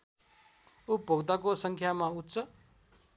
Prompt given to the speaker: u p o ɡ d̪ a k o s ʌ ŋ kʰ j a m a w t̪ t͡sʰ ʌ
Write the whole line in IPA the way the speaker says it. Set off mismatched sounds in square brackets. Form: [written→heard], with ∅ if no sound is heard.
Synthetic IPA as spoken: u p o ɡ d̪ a k o s ʌ ŋ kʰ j a m a [w→u] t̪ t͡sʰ ʌ